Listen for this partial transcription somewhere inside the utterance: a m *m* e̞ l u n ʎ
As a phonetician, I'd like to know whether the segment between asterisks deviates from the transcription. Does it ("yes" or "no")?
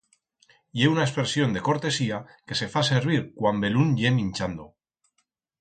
yes